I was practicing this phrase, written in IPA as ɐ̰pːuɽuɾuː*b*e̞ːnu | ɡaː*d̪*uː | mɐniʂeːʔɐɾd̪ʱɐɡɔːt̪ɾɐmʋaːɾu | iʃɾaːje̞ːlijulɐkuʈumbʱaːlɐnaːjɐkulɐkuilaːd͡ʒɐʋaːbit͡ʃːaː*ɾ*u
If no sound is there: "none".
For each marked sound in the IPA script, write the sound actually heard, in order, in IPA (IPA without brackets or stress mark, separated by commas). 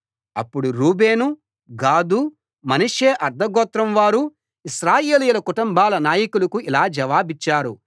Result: b, d̪, ɾ